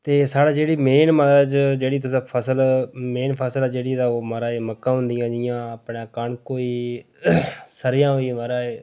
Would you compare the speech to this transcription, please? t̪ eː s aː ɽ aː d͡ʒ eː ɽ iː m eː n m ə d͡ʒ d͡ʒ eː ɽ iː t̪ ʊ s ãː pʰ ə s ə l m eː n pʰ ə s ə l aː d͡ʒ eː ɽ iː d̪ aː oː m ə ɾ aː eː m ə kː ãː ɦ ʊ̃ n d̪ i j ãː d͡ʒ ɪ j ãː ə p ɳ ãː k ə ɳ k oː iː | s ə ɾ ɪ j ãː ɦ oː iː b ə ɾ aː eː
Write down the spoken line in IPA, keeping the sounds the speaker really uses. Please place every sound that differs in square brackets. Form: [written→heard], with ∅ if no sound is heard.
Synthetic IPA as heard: t̪ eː s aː ɽ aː d͡ʒ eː ɽ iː m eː n m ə d͡ʒ d͡ʒ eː ɽ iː t̪ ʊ s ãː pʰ ə s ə l m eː n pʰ ə s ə l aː d͡ʒ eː ɽ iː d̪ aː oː m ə ɾ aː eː m ə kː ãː ɦ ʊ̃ n d̪ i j ãː d͡ʒ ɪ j ãː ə p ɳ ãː k ə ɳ k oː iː | s ə ɾ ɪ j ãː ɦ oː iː [b→m] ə ɾ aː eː